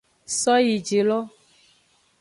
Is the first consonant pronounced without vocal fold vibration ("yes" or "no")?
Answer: yes